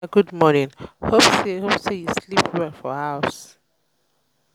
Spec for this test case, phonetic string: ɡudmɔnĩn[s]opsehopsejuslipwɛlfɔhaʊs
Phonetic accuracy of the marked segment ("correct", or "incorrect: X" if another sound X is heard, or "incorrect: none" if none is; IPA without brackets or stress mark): incorrect: h